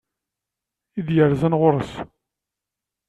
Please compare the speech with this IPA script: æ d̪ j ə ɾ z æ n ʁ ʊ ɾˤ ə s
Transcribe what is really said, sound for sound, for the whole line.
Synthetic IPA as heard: i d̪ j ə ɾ z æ n ʁ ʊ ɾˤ ə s